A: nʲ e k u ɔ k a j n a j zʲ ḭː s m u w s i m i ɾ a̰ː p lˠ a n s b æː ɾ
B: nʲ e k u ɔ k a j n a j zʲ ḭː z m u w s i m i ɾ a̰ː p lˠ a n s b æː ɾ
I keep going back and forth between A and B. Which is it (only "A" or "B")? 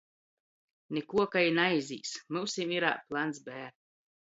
A